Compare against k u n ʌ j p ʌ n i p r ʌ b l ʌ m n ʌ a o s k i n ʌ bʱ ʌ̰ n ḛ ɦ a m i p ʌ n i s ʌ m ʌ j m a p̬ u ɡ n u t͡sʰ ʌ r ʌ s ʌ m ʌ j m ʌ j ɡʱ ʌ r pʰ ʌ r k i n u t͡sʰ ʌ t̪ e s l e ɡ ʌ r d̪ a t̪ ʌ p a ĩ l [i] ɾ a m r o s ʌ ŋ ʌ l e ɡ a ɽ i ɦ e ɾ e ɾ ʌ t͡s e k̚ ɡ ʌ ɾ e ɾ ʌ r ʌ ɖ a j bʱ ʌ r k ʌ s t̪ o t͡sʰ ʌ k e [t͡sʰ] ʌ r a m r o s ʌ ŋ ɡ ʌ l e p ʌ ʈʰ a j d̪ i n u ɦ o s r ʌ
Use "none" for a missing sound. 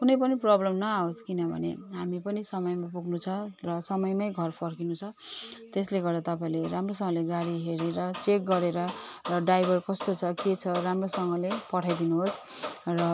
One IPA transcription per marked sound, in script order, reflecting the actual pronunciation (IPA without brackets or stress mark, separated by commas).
e, t͡sʰ